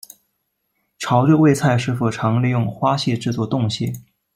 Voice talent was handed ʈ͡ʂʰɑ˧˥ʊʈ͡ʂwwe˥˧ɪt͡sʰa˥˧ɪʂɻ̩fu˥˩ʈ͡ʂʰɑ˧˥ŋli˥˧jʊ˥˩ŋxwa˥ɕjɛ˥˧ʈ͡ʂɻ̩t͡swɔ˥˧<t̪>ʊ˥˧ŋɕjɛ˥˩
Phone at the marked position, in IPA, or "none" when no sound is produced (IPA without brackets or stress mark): t̪